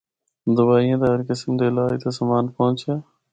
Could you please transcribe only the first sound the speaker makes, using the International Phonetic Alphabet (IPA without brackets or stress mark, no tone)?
d̪